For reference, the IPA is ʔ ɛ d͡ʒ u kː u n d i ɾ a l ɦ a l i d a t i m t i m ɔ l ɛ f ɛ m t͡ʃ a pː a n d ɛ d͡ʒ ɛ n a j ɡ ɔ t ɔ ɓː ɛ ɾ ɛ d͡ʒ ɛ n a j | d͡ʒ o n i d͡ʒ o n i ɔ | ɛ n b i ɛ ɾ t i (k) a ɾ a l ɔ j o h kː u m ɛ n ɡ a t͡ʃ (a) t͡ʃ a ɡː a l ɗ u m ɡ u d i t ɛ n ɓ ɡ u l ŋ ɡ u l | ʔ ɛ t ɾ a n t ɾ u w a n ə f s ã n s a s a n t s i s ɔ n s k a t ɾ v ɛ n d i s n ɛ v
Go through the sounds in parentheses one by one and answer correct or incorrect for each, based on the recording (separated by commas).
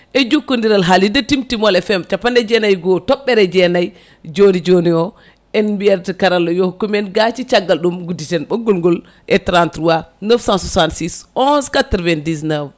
correct, incorrect